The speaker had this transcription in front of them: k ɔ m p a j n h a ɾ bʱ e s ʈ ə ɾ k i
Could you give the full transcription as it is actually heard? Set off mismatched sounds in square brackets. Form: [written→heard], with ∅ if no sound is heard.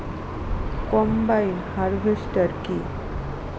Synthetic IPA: k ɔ m [p→b] a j n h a ɾ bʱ e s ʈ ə ɾ k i